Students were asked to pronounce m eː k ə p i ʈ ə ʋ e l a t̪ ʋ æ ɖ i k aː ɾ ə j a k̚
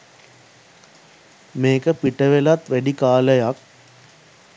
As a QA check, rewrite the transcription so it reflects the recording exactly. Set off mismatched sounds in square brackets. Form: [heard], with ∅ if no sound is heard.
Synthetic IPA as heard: m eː k ə p i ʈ ə ʋ e l a t̪ ʋ æ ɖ i k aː [l] ə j a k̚